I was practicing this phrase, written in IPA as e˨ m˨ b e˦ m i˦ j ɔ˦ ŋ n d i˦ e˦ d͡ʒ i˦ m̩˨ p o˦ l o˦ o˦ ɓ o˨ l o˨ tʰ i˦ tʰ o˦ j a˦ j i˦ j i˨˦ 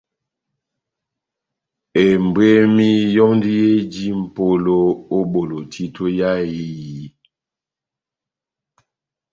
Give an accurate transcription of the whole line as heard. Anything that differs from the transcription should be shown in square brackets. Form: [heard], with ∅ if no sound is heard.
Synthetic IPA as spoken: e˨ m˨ b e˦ m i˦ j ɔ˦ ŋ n d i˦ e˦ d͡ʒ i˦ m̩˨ p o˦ l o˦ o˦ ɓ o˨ l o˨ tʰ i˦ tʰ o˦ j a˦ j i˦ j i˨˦